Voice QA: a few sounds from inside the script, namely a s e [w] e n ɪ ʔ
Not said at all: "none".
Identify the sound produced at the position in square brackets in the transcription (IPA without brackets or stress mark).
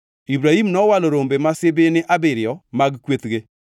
b